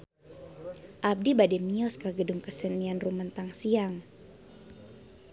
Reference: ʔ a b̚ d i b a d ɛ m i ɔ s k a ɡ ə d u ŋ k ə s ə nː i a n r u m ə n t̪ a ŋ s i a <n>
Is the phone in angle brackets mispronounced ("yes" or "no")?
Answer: yes